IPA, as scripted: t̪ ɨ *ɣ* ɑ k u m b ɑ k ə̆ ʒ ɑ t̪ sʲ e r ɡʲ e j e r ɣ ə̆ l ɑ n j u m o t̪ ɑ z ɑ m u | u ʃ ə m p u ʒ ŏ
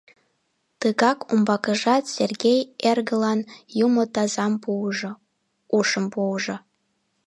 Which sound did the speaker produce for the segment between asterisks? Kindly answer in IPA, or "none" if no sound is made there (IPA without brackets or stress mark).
ɣ